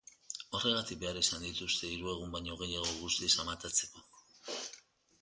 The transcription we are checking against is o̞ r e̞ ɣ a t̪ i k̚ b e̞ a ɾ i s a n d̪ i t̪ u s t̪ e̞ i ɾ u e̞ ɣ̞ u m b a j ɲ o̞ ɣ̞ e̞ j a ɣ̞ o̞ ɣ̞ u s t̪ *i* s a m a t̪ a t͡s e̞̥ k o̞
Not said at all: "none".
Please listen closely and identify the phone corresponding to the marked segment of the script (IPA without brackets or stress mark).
i